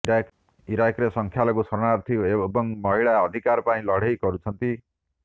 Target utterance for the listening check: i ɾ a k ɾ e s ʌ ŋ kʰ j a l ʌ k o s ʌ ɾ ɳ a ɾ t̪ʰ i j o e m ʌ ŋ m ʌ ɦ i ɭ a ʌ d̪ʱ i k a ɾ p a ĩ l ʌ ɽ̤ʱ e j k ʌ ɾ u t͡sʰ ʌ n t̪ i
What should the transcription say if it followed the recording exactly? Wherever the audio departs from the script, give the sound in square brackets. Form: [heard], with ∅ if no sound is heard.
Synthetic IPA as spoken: i ɾ a k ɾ e s ʌ ŋ kʰ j a l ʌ k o s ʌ ɾ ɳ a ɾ t̪ʰ i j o e [b] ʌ ŋ m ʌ ɦ i ɭ a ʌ d̪ʱ i k a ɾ p a ĩ l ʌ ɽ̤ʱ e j k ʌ ɾ u t͡sʰ ʌ n t̪ i